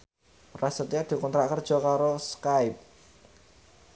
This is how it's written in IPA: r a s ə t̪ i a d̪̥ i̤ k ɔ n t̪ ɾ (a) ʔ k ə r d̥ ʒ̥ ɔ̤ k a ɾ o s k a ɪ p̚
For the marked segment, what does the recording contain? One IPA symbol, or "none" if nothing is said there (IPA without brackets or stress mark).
a